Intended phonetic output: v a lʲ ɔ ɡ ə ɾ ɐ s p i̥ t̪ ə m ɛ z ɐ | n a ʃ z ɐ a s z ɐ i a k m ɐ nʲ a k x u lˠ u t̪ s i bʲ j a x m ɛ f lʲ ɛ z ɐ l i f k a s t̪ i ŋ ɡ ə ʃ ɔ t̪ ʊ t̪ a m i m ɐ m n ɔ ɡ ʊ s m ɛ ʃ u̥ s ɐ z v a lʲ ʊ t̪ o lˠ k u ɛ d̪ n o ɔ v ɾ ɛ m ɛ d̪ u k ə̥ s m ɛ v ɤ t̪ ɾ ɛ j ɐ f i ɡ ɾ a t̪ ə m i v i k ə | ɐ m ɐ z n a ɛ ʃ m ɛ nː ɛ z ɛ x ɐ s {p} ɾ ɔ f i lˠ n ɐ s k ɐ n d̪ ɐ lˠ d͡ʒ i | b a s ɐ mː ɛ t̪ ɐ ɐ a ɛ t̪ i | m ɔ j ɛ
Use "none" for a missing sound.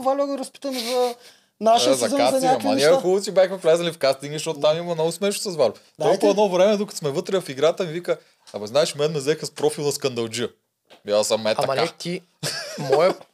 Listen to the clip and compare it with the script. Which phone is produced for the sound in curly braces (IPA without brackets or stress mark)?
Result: p